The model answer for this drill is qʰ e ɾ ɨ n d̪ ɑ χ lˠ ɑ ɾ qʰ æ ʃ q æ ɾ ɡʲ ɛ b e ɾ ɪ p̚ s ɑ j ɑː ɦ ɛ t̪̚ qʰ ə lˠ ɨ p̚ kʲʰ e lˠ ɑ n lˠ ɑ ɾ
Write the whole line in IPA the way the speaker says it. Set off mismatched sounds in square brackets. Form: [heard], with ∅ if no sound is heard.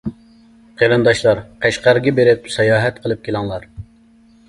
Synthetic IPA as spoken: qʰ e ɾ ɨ n d̪ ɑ [ʃ] lˠ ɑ ɾ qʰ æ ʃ q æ ɾ ɡʲ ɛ b e ɾ ɪ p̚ s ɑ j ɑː ɦ ɛ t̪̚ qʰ ə lˠ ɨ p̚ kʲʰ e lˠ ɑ [ŋ] lˠ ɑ ɾ

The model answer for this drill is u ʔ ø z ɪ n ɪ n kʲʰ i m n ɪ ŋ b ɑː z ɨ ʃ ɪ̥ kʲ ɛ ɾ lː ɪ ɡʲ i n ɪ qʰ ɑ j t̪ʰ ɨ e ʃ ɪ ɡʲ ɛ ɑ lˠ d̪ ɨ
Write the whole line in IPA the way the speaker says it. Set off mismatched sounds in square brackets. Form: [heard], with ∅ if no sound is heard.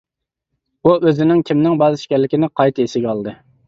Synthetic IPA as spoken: u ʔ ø z ɪ n ɪ [ŋ] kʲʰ i m n ɪ ŋ b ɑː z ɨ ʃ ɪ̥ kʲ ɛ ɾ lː ɪ [kʲ] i n ɪ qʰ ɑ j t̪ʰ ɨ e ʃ ɪ ɡʲ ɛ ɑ lˠ d̪ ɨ

